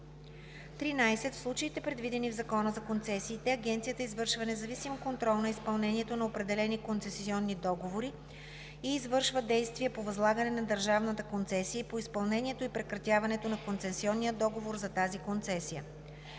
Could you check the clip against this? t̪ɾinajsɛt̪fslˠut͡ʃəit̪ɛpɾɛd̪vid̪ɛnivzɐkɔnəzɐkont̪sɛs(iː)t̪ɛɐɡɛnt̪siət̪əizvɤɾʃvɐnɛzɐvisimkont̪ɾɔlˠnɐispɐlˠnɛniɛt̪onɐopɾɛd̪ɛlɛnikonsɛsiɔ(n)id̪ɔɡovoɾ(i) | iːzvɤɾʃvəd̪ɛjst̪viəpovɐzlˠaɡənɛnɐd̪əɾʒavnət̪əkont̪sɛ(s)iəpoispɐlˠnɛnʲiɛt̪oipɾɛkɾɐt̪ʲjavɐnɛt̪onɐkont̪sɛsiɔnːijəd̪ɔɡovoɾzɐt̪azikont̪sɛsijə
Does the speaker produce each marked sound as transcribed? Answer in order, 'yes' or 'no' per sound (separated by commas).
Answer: yes, no, yes, yes